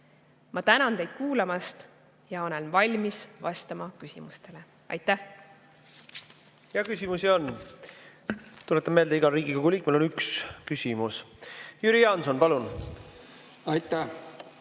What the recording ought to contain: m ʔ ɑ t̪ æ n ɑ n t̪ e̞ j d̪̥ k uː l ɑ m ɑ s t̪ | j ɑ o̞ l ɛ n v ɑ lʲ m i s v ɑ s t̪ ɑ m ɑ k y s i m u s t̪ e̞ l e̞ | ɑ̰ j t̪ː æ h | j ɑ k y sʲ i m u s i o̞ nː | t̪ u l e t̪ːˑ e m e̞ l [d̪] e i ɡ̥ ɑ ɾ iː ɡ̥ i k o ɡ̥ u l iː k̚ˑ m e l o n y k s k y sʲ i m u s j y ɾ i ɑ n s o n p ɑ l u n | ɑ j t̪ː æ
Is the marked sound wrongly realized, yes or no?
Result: no